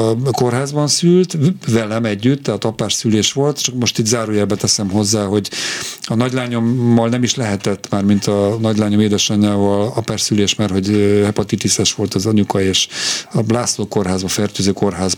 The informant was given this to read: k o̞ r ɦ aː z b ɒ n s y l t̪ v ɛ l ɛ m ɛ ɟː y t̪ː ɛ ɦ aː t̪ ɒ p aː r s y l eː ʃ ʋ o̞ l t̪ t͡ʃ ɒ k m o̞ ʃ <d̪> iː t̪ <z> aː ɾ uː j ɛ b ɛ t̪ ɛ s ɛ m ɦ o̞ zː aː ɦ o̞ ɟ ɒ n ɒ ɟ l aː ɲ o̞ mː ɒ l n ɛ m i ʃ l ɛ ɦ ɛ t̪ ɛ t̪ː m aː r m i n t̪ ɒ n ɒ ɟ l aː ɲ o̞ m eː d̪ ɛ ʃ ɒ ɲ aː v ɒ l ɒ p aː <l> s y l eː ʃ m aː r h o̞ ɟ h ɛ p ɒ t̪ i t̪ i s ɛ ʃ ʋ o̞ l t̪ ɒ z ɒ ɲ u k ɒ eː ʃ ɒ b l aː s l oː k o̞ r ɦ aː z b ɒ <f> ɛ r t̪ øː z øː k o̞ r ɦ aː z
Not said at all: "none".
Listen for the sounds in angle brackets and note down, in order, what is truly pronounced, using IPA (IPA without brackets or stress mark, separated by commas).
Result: t̪, z, r, f